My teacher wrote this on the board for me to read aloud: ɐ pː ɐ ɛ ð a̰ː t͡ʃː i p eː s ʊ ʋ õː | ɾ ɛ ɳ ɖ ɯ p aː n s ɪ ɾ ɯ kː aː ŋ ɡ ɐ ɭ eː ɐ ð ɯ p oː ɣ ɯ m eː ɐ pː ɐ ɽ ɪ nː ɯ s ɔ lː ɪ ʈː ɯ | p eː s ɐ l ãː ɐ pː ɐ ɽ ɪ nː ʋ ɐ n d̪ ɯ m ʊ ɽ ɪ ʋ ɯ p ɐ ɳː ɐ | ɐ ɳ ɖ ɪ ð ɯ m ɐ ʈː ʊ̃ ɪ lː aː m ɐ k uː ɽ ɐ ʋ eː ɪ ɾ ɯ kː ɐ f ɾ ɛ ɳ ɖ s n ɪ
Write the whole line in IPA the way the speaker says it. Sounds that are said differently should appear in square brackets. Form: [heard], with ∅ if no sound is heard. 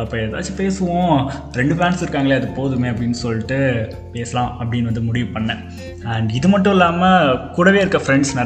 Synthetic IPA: ɐ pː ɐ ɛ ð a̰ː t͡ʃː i p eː s [ɯ] ʋ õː | ɾ ɛ ɳ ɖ ɯ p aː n s ɪ ɾ ɯ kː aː ŋ ɡ ɐ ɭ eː ɐ ð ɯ p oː [ð] ɯ m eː ɐ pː ɐ ɽ ɪ nː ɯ s ɔ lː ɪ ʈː ɯ | p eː s ɐ l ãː ɐ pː ɐ ɽ ɪ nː ʋ ɐ n d̪ ɯ m ʊ ɽ ɪ ʋ ɯ p ɐ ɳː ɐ | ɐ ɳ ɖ ɪ ð ɯ m ɐ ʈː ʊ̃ ɪ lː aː m ɐ k uː ɽ ɐ ʋ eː ɪ ɾ ɯ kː ɐ f ɾ ɛ ɳ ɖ s n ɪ